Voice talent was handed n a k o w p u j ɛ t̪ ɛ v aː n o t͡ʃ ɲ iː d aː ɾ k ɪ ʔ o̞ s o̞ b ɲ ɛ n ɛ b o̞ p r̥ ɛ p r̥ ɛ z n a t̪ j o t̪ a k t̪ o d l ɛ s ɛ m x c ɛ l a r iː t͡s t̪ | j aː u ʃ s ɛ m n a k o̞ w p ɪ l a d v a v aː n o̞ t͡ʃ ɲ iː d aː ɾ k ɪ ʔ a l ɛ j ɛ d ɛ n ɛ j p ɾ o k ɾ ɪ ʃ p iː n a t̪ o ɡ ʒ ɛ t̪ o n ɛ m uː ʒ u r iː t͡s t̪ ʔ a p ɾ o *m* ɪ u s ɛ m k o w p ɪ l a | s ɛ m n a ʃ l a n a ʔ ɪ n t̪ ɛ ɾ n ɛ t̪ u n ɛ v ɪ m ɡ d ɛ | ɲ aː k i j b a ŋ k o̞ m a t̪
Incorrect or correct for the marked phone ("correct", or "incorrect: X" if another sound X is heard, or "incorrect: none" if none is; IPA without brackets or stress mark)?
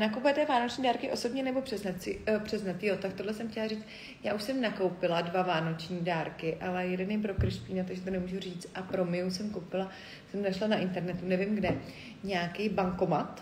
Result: correct